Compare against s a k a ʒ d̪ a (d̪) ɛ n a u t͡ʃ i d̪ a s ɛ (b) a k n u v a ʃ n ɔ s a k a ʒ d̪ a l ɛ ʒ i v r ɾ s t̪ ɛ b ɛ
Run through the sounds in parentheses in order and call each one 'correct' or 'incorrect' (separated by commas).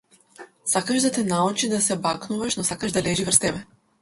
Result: incorrect, correct